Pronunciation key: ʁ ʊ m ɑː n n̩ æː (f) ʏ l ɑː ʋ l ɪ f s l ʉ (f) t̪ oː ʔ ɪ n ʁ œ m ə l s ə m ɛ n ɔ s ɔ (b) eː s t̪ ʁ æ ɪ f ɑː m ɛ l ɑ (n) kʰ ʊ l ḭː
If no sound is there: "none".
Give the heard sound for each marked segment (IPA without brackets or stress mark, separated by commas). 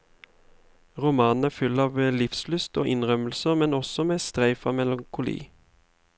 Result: f, s, m, ŋ